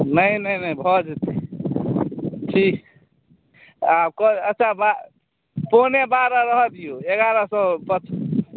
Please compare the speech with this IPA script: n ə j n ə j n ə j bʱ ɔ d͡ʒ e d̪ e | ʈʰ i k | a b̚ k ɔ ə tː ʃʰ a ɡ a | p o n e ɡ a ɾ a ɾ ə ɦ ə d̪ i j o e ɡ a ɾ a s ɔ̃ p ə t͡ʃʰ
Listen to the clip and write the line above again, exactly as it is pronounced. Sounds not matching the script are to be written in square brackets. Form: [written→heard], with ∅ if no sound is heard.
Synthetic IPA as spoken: n ə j n ə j n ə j bʱ ɔ d͡ʒ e [d̪→t̪] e | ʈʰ i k | a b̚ k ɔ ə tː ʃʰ a [ɡ→b] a | p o n e [ɡ→b] a ɾ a ɾ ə ɦ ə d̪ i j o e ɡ a ɾ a s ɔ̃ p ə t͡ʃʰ